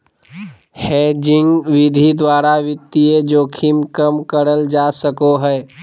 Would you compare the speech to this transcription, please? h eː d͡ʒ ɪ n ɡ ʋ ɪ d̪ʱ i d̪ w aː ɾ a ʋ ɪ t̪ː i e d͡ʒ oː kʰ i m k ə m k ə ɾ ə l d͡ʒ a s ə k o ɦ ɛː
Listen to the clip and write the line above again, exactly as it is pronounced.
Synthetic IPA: h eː d͡ʒ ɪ ŋ ɡ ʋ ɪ d̪ʱ i d̪ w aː ɾ a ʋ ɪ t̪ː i e d͡ʒ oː kʰ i m k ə m k ə ɾ ə l d͡ʒ a s ə k o ɦ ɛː